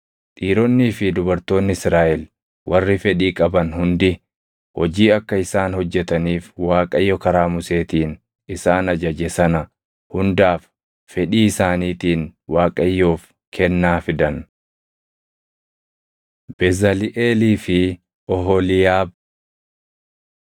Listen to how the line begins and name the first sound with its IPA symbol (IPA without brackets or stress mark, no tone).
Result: t̪ʼ